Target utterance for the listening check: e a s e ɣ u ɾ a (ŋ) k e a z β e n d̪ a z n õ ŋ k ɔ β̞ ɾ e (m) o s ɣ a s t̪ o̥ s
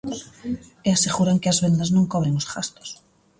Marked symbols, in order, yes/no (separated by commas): yes, no